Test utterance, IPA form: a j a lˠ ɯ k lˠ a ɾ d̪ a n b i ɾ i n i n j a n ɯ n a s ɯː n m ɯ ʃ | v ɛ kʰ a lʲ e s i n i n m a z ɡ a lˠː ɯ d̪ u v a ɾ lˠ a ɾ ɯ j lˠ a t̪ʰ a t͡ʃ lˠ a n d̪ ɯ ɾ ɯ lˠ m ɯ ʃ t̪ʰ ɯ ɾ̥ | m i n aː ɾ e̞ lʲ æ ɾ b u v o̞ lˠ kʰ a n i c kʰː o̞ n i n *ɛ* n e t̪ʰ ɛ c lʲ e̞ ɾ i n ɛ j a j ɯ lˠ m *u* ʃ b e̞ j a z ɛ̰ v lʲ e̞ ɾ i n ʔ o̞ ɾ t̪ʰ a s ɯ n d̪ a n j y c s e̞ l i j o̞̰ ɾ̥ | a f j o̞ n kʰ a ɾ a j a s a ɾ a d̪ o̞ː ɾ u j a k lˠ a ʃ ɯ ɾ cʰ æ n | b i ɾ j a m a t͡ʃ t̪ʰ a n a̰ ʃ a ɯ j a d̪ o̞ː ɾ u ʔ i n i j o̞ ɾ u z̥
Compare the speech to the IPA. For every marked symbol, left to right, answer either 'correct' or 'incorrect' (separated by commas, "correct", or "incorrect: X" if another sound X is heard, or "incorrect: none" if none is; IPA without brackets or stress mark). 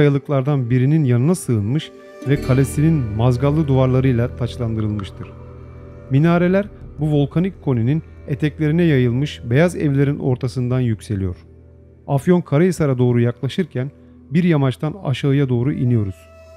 incorrect: i, incorrect: ɯ